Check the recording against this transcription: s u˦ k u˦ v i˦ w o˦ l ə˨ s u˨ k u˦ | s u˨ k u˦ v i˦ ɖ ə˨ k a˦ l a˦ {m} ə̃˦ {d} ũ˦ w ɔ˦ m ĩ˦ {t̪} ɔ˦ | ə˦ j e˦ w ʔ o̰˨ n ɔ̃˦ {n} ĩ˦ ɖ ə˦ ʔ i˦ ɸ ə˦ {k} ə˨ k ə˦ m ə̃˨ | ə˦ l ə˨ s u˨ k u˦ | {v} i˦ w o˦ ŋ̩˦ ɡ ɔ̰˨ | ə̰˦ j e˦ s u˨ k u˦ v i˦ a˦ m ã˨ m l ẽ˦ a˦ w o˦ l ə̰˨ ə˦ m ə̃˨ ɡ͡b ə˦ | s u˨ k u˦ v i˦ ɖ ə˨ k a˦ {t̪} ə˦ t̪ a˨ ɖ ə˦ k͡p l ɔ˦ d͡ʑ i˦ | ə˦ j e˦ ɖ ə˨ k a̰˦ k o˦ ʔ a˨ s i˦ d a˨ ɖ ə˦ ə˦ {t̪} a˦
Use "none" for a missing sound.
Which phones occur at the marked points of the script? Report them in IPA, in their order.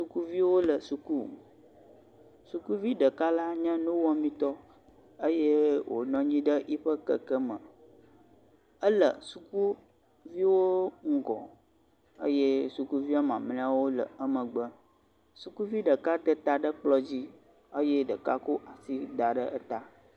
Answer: ɲ, n, t̪, ɲ, k, v, t̪, t̪

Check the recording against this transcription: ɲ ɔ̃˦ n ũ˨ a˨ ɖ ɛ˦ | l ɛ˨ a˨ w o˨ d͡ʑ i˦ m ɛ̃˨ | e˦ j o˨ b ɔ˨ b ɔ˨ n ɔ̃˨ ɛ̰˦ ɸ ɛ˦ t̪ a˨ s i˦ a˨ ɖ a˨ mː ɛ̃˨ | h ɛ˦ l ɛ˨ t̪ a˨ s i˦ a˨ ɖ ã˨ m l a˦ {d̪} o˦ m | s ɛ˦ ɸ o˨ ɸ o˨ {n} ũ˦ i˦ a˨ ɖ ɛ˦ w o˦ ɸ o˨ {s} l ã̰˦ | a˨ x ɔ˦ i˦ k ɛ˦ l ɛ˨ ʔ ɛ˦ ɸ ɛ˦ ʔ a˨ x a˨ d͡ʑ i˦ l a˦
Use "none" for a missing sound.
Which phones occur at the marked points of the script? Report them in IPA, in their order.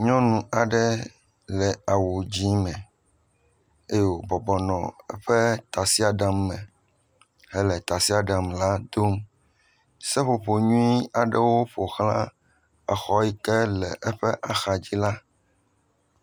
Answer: d̪, ɲ, x

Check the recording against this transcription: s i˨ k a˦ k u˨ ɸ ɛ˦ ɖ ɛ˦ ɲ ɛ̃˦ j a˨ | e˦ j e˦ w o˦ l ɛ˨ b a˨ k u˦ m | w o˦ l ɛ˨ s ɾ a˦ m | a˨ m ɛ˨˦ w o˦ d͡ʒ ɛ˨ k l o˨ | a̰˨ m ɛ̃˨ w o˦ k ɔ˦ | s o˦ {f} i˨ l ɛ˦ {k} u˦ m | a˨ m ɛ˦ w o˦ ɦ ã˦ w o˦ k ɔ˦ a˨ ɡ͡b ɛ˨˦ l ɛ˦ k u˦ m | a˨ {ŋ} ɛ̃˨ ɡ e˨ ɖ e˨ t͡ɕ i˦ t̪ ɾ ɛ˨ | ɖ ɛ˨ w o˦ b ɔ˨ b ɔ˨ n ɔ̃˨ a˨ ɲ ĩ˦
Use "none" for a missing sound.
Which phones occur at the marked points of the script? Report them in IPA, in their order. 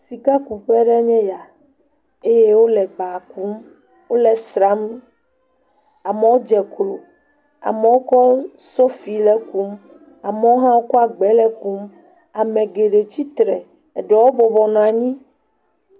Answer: f, k, m

